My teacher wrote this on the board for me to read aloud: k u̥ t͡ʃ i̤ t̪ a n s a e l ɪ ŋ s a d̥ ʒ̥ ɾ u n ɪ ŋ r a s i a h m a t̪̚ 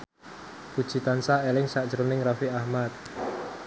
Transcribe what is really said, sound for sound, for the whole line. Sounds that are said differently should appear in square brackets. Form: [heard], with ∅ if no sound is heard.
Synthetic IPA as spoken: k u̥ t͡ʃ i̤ t̪ a n s a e l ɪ ŋ s a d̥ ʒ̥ ɾ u n ɪ ŋ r a [f] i a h m a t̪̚